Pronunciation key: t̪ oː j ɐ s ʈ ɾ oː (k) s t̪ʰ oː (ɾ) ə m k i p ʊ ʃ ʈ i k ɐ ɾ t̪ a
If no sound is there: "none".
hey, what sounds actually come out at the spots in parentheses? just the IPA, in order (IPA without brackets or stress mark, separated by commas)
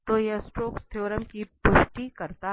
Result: k, ɾ